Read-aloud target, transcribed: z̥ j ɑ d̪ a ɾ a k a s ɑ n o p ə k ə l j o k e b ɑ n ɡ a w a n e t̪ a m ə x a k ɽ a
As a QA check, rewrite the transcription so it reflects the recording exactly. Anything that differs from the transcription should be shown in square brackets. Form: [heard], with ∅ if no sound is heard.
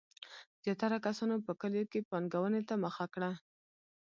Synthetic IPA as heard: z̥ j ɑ [t̪] a ɾ a k a s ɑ n o p ə k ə l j o k e [p] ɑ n ɡ a w [ə] n e t̪ a m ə x a k ɽ a